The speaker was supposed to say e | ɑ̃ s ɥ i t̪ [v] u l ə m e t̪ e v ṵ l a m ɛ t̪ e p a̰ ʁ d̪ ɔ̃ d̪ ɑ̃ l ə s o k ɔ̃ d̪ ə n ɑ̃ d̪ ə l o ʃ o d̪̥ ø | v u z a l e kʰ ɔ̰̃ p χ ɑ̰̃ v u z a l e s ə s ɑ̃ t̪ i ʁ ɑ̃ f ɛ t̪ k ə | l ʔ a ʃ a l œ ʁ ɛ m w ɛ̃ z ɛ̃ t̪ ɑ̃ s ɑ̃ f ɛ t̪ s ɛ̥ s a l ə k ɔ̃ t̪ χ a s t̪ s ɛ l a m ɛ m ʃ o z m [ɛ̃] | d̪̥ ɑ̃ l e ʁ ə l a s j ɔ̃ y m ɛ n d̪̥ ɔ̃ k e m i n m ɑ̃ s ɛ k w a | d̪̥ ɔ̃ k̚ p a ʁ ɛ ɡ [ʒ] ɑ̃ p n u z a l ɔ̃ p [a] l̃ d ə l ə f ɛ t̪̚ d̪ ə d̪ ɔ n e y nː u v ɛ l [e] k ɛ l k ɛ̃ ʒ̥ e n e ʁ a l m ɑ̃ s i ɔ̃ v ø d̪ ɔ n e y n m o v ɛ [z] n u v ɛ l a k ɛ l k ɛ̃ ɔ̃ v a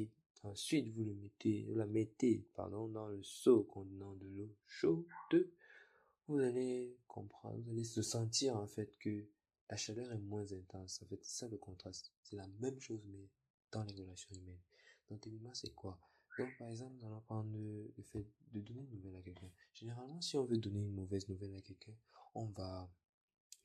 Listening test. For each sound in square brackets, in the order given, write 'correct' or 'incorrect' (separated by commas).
correct, incorrect, incorrect, correct, incorrect, correct